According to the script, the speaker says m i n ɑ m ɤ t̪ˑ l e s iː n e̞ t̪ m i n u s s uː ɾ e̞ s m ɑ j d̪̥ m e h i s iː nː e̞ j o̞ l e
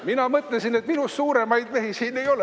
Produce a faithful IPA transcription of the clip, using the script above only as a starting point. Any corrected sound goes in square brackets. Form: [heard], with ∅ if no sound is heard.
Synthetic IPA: m i n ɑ m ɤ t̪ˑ l e s [i] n e̞ t̪ m i n u s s uː ɾ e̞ [∅] m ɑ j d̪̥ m e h i s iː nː e̞ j o̞ l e